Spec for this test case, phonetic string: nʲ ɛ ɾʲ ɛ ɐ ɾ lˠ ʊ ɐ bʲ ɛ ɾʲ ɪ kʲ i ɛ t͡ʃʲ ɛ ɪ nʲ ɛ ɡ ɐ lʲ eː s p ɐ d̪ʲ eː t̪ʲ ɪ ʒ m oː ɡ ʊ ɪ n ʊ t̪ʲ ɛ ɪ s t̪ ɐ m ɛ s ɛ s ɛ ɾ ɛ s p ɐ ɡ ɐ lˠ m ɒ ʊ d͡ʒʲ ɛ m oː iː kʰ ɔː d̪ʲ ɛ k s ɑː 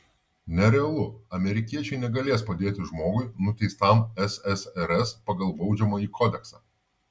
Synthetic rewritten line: nʲ ɛ ɾʲ ɛ ɐ lˠ ʊ ɐ mʲ ɛ ɾʲ ɪ kʲ i ɛ t͡ʃʲ ɛ ɪ nʲ ɛ ɡ ɐ lʲ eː s p ɐ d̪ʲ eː t̪ʲ ɪ ʒ m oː ɡ ʊ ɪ n ʊ t̪ʲ ɛ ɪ s t̪ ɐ m ɛ s ɛ s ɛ ɾ ɛ s p ɐ ɡ ɐ lˠ b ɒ ʊ d͡ʒʲ ɛ m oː iː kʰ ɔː d̪ʲ ɛ k s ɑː